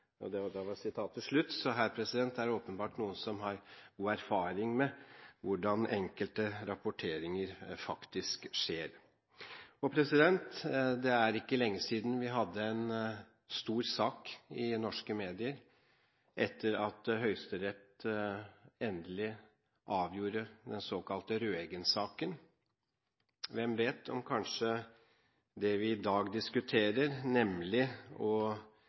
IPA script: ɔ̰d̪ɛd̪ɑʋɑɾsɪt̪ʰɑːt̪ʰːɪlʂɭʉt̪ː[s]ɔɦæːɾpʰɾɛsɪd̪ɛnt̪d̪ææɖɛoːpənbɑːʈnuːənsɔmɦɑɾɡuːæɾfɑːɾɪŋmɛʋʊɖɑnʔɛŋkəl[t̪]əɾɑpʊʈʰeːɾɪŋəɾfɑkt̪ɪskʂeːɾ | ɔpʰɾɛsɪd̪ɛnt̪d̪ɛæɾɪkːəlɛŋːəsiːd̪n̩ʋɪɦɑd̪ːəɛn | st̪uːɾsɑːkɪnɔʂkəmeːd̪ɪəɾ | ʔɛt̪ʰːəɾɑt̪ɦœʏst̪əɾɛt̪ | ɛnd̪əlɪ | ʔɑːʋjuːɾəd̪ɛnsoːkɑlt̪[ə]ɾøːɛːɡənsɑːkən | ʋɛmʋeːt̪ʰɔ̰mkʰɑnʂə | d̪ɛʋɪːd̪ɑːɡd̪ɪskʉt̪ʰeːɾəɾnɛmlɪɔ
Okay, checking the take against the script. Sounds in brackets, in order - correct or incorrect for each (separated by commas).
correct, correct, correct